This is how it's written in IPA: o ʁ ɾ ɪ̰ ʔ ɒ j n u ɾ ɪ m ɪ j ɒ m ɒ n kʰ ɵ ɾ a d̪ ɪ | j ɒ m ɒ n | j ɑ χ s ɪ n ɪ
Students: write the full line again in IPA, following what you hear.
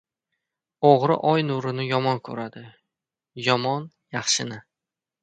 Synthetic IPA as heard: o ʁ ɾ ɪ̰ ʔ ɒ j n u ɾ ɪ n ɪ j ɒ m ɒ n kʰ ɵ ɾ a d̪ ɪ | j ɒ m ɒ n | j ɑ χ ʃ ɪ n ɪ